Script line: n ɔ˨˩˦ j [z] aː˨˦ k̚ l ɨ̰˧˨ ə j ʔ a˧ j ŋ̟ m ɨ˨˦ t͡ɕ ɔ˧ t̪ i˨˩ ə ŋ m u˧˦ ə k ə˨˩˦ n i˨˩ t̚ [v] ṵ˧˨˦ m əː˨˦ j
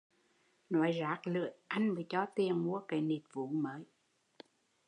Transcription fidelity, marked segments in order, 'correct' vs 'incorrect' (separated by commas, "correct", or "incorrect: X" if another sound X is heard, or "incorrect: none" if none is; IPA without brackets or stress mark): correct, correct